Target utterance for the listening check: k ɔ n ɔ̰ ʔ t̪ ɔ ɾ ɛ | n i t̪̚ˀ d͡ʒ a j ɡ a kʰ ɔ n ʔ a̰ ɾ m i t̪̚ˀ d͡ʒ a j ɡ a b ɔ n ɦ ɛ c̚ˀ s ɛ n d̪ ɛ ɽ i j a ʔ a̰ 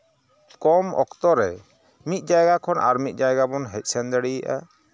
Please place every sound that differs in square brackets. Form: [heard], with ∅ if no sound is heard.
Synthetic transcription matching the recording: k ɔ [m] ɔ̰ [k] t̪ ɔ ɾ ɛ | [m] i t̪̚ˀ d͡ʒ a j ɡ a kʰ ɔ n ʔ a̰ ɾ m i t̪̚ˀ d͡ʒ a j ɡ a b ɔ n ɦ ɛ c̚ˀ s ɛ n d̪ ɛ ɽ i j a ʔ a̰